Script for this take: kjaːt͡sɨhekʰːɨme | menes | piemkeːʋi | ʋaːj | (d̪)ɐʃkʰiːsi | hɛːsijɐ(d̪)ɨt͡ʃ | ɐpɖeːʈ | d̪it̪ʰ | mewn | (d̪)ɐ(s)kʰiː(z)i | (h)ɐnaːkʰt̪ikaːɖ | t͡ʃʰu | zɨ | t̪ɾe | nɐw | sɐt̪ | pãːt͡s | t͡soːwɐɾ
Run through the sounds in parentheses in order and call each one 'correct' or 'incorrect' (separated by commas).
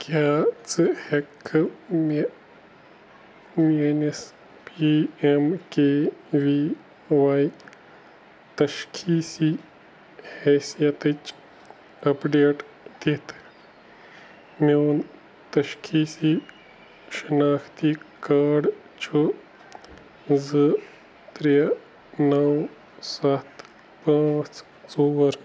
incorrect, incorrect, incorrect, incorrect, incorrect, incorrect